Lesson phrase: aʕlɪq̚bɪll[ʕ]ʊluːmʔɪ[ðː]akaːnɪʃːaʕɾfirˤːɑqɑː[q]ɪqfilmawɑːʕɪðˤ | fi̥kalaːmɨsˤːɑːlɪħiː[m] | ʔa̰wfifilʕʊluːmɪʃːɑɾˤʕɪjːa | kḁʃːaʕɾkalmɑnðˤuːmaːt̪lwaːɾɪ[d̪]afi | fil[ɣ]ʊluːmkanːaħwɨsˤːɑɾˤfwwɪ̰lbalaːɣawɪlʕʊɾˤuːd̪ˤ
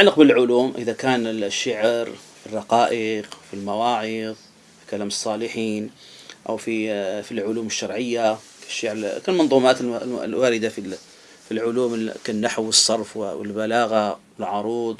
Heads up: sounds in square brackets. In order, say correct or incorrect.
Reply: correct, incorrect, incorrect, incorrect, correct, incorrect

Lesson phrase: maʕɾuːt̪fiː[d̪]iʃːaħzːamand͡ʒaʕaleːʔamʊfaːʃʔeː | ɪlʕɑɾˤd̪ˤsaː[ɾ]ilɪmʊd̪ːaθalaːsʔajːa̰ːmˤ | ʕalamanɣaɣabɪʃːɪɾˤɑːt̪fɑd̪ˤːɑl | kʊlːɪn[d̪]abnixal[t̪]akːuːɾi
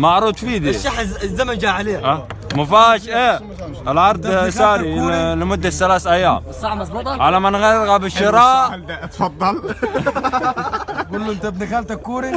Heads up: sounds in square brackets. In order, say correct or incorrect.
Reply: correct, correct, incorrect, correct

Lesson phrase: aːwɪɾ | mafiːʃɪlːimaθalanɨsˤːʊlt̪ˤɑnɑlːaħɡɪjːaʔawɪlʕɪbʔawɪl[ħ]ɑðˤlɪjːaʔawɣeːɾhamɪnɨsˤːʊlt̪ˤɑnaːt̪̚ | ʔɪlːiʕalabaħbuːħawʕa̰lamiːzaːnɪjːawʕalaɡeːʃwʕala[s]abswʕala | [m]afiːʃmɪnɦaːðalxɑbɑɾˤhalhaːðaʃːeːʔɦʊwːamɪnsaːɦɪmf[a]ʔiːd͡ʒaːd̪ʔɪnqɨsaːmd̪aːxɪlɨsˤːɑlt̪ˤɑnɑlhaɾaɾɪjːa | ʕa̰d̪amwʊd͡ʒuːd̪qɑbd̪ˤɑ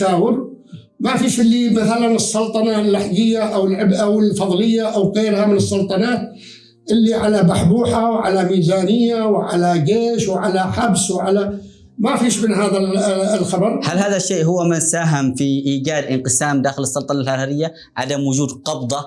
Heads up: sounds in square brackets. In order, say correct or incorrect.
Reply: incorrect, incorrect, correct, incorrect

